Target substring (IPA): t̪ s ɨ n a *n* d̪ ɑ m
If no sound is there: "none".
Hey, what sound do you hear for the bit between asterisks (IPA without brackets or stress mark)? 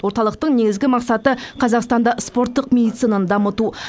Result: n